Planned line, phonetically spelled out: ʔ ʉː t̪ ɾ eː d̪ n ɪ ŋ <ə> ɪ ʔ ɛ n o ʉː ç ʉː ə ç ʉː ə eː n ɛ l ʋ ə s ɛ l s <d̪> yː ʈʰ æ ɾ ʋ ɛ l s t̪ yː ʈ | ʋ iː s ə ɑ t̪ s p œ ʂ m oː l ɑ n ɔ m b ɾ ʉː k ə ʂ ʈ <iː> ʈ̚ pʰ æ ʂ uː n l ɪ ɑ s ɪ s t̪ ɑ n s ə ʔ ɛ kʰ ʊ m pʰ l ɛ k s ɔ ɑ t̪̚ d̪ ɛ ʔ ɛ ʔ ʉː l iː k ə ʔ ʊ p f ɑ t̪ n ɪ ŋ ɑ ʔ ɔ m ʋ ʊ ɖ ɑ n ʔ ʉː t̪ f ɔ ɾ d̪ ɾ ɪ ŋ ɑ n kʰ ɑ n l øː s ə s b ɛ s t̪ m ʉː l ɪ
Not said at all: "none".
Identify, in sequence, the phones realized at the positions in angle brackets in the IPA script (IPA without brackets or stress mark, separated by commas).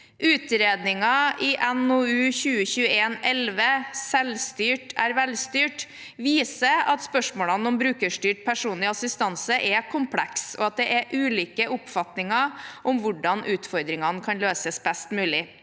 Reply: ɑ, t̪, yː